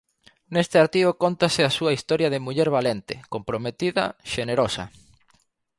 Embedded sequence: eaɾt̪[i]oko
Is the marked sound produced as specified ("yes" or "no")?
yes